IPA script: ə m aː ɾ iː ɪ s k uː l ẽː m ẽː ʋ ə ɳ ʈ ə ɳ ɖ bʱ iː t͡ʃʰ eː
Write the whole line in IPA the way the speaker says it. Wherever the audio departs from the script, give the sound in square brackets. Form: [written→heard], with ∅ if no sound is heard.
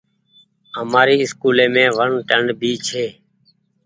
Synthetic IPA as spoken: ə m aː ɾ iː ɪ s k uː l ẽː m ẽː ʋ ə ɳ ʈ ə ɳ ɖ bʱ iː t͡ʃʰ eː